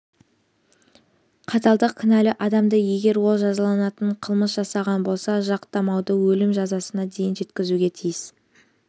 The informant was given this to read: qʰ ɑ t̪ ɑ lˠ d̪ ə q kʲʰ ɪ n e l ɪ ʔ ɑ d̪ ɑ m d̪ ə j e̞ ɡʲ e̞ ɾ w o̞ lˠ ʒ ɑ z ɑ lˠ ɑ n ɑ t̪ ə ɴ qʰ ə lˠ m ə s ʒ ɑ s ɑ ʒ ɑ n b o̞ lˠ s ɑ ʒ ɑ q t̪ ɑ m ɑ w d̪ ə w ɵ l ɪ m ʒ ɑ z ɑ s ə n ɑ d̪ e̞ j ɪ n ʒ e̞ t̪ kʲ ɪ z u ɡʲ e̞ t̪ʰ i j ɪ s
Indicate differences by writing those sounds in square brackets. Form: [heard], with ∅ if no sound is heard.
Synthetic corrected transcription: qʰ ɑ t̪ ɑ lˠ d̪ ə q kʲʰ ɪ n [æ] l ɪ ʔ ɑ d̪ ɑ m d̪ ə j e̞ ɡʲ e̞ ɾ w o̞ lˠ ʒ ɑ z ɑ lˠ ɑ n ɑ t̪ ə ɴ qʰ ə lˠ m ə s ʒ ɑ s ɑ [ʁ] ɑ n b o̞ lˠ s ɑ ʒ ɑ q t̪ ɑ m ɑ w d̪ ə w ɵ l ɪ m ʒ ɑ z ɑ s ə n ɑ d̪ e̞ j ɪ n ʒ e̞ t̪ kʲ ɪ z u ɡʲ e̞ t̪ʰ i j ɪ s